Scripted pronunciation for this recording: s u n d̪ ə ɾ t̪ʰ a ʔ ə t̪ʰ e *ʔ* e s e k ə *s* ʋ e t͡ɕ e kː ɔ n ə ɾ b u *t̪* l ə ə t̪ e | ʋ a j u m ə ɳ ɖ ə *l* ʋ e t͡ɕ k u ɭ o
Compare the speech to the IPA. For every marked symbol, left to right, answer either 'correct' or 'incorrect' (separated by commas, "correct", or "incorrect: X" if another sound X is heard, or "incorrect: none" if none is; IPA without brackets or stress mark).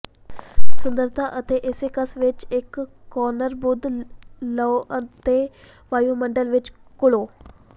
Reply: correct, correct, incorrect: d̪, correct